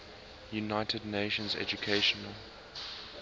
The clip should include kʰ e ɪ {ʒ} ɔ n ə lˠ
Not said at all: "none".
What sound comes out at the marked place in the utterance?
ʃ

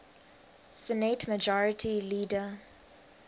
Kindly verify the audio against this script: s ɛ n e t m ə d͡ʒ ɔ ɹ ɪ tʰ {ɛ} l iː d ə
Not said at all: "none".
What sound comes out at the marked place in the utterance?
i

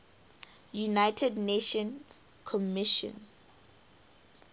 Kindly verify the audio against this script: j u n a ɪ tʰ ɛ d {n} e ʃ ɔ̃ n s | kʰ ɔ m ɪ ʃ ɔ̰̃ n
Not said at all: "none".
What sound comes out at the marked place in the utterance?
n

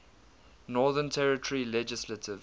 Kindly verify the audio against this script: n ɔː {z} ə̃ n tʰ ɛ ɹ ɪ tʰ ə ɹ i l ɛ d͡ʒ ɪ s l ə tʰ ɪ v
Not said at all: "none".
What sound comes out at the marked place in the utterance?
ð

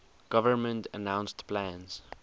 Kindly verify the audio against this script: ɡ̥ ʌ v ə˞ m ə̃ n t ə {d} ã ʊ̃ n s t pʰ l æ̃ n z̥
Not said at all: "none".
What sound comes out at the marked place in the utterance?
n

